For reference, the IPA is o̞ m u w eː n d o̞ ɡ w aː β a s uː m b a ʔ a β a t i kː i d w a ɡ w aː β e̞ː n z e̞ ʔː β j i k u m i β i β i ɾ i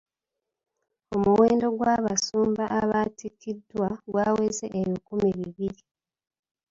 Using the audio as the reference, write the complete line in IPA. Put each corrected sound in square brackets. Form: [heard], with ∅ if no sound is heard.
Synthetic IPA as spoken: o̞ m u w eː n d o̞ ɡ w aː β a s uː m b a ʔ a β a t i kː i d w a ɡ w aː [w] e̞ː [∅] z e̞ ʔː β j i k u m i β i β i ɾ i